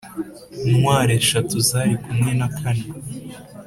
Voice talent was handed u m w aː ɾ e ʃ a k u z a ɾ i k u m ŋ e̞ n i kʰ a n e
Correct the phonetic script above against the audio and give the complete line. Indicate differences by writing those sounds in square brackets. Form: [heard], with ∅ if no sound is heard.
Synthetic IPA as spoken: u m w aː ɾ e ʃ a [t] u z a ɾ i k u m ŋ e̞ n [a] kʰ a n e